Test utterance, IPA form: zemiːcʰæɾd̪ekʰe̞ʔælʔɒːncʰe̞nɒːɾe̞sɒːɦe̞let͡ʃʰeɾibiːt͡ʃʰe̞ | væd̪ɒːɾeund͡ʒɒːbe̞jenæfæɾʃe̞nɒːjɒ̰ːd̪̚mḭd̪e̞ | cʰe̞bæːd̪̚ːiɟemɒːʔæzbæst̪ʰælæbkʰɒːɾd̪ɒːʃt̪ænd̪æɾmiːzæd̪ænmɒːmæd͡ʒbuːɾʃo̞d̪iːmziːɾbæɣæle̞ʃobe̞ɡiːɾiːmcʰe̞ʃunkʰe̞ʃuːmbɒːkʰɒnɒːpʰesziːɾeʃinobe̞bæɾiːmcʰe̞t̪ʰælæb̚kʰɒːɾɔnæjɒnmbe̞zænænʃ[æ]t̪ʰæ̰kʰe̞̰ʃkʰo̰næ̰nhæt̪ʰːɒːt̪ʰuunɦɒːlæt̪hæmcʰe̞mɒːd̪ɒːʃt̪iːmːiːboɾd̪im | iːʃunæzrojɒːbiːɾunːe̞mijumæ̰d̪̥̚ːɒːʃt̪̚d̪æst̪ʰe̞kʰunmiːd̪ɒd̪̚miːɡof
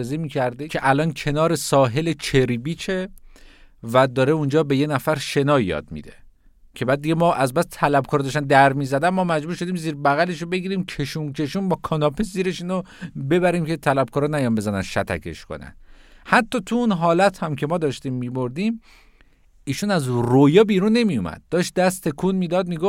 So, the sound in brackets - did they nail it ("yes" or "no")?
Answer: yes